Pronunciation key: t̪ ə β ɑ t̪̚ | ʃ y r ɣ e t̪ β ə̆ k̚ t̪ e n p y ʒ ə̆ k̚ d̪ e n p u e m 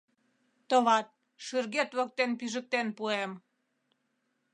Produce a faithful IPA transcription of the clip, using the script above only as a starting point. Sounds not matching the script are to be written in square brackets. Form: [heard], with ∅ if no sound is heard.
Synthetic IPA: t̪ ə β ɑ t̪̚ | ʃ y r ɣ e t̪ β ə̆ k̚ t̪ e n p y ʒ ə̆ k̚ [t̪] e n p u e m